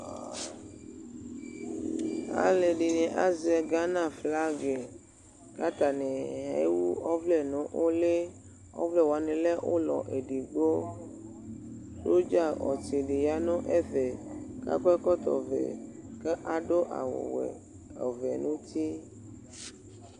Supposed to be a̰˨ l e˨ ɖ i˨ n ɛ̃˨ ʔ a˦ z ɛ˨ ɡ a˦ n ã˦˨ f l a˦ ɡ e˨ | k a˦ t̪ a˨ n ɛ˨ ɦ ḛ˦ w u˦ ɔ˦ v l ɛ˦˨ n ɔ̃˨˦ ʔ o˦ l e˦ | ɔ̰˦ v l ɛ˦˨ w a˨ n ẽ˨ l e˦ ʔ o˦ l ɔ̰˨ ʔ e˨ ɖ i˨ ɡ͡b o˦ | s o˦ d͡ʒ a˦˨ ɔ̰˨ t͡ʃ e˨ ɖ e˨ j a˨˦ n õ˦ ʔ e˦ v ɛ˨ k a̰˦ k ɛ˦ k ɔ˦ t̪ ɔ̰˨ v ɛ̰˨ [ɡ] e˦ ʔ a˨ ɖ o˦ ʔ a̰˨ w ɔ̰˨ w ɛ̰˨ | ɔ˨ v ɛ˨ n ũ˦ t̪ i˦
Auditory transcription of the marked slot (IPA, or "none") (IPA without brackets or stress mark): k